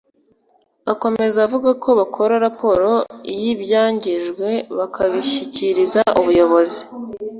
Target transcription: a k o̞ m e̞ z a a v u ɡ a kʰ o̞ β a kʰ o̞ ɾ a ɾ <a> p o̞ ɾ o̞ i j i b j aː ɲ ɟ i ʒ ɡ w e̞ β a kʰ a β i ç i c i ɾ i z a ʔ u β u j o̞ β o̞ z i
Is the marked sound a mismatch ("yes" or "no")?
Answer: no